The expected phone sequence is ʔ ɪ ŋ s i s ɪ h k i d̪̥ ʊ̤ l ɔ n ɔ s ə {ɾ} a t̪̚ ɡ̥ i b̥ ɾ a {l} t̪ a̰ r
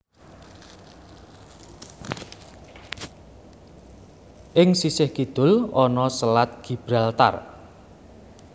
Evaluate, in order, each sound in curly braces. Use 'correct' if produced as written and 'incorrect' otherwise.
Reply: incorrect: l, correct

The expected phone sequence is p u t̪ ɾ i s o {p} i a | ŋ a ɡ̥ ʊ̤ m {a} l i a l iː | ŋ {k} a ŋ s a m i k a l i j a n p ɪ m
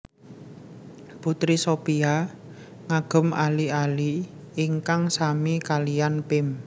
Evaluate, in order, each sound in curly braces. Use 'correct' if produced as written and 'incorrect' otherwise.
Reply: correct, correct, correct

